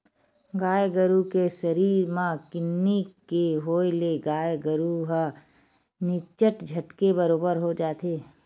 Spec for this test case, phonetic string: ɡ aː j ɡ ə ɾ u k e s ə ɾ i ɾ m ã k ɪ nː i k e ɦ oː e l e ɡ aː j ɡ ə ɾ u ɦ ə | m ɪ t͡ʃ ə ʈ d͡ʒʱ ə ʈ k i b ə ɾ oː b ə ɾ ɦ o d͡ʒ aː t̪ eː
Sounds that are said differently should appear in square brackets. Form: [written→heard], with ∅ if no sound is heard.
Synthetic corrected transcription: ɡ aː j ɡ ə ɾ u k e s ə ɾ [i→iː] ɾ m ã k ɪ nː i k e ɦ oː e l e ɡ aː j ɡ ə ɾ u ɦ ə | [m→n] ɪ t͡ʃ ə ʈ d͡ʒʱ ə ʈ k [i→e] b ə ɾ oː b ə ɾ ɦ o d͡ʒ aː t̪ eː

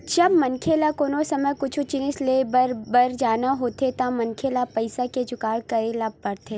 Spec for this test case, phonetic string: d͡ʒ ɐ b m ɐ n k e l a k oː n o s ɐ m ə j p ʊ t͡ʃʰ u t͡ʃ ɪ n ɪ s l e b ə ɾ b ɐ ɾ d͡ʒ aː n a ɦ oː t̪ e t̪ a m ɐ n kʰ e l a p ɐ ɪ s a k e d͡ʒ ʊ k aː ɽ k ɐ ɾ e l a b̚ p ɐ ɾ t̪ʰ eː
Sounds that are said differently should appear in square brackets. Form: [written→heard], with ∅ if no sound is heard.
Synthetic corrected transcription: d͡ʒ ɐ b m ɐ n [k→kʰ] e l a k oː n o s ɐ m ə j [p→k] ʊ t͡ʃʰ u t͡ʃ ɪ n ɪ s l e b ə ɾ b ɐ ɾ d͡ʒ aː n a ɦ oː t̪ e t̪ a m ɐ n kʰ e l a p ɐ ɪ s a k e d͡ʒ ʊ k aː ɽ k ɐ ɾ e l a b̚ p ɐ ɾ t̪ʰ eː

